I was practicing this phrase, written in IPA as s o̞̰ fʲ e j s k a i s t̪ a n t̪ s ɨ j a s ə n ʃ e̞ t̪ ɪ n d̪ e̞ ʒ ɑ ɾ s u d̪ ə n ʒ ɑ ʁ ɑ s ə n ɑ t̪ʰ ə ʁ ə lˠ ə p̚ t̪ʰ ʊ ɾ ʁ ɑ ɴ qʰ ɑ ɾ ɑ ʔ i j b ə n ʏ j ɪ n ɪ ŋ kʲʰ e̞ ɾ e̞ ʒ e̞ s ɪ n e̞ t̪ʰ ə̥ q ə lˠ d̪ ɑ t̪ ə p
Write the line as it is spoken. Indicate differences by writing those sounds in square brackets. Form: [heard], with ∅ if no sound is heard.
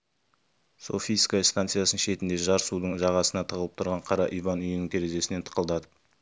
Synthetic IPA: s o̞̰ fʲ [i] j s k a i s t̪ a n t̪ s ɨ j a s ə n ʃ e̞ t̪ ɪ n d̪ e̞ ʒ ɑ ɾ s u d̪ ə [ɴ] ʒ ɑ ʁ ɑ s ə n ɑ t̪ʰ ə ʁ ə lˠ ə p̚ t̪ʰ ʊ ɾ ʁ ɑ ɴ qʰ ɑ ɾ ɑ ʔ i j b [ɑ] n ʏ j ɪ n ɪ ŋ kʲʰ e̞ ɾ e̞ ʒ e̞ s ɪ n e̞ t̪ʰ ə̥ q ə lˠ d̪ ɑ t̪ ə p